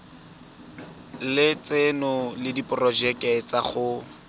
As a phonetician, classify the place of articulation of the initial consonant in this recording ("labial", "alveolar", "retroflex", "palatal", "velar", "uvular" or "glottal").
alveolar